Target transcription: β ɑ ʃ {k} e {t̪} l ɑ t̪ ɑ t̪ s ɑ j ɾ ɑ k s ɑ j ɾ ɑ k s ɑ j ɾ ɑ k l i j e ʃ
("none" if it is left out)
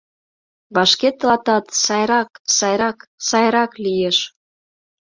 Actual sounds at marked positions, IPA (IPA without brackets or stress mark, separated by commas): k, t̪